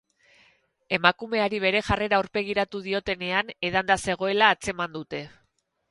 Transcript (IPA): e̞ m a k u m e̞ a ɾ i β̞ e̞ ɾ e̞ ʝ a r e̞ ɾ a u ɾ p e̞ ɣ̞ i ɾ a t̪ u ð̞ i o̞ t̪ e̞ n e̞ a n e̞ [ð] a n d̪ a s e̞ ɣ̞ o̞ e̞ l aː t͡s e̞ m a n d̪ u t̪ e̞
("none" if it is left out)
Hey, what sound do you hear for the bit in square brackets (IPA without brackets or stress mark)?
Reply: ð